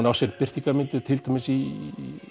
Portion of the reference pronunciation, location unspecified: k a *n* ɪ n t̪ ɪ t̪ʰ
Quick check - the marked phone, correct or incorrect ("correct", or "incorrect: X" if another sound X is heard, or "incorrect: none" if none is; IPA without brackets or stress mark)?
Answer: incorrect: m